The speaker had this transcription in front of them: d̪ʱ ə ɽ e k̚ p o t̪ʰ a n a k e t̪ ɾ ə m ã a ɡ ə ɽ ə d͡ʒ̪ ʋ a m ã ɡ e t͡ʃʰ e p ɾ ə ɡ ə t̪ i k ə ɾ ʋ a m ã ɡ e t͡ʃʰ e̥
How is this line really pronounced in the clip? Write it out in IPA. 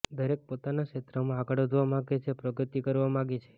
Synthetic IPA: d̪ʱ ə ɾ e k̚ p o t̪ a n a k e t̪ ɾ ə m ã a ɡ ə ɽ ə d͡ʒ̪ ʋ a m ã ɡ e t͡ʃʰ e p ɾ ə ɡ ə t̪ i k ə ɾ ʋ a m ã ɡ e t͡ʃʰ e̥